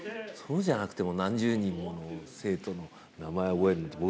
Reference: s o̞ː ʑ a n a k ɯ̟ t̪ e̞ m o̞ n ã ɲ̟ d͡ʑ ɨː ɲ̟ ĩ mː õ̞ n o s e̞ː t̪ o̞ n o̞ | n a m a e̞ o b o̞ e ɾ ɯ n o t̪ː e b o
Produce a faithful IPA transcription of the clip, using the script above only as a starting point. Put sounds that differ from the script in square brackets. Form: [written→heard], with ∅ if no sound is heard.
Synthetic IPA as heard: s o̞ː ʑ a n a k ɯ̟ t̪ e̞ m o̞ n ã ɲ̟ d͡ʑ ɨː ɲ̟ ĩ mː [õ̞→o̞] n o s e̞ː t̪ o̞ n o̞ | n a m a e̞ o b o̞ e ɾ ɯ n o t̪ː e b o